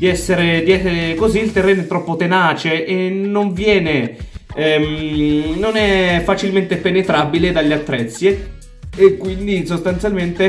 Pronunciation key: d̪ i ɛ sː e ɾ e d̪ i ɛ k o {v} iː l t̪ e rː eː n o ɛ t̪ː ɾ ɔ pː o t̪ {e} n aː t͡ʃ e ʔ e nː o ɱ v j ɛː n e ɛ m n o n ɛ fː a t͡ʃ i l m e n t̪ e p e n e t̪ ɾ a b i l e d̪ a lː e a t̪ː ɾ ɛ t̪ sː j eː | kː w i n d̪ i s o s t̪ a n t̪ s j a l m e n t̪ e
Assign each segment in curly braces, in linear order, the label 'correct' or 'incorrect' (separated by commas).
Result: incorrect, correct